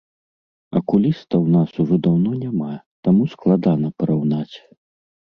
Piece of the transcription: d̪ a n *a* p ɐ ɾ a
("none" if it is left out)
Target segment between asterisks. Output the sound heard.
ɐ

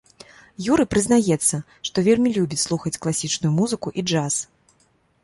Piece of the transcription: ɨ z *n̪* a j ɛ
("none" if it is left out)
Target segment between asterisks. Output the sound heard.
n̪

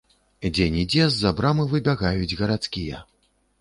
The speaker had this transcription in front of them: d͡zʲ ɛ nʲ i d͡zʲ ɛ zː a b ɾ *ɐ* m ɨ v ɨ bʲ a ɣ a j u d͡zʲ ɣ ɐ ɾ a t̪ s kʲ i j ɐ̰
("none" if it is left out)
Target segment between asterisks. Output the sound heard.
a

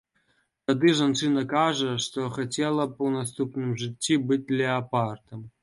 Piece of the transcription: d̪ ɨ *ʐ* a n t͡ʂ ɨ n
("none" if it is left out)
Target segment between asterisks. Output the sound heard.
ʐ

